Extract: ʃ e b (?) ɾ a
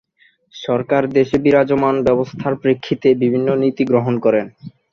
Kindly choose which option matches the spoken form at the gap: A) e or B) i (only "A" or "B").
B